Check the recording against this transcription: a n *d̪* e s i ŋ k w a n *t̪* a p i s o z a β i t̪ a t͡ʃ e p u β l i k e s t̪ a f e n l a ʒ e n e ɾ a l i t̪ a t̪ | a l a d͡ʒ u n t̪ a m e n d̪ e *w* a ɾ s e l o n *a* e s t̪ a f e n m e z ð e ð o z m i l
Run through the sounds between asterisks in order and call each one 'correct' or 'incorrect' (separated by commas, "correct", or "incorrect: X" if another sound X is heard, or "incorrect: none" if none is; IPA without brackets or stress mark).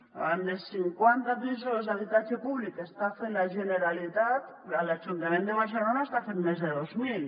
correct, correct, incorrect: β, correct